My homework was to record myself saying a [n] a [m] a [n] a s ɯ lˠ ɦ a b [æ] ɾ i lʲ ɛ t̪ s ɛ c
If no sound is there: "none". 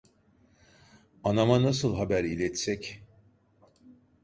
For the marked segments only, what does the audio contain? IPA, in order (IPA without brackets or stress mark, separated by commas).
n, m, n, æ